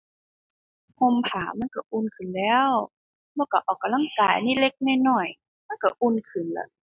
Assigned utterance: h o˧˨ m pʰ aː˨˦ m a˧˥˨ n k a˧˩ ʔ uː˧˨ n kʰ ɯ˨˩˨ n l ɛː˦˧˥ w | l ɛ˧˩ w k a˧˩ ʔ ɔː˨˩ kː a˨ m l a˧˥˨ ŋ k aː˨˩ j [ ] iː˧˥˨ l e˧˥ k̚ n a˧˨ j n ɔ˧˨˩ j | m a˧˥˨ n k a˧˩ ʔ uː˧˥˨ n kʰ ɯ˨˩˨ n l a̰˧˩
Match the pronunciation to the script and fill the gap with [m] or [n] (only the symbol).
n